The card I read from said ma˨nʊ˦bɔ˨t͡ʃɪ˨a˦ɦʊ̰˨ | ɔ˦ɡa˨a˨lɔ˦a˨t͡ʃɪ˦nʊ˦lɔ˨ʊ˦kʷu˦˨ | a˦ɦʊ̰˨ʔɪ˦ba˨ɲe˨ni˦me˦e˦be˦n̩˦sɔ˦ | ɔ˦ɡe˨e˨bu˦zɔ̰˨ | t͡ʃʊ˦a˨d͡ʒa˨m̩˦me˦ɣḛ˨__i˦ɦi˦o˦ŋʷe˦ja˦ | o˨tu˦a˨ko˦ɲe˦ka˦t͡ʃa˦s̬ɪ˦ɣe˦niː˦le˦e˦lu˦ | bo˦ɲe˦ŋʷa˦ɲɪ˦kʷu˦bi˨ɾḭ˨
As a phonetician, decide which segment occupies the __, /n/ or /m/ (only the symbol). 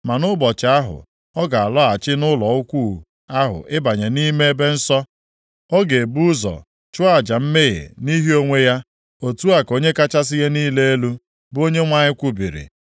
n